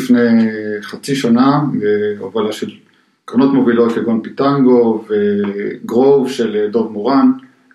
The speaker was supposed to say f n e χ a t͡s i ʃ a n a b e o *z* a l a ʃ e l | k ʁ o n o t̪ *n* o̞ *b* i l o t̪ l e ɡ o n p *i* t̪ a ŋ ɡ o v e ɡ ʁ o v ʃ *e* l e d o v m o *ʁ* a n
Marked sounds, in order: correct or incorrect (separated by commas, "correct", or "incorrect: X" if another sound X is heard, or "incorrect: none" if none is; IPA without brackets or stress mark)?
incorrect: v, incorrect: m, incorrect: v, correct, correct, correct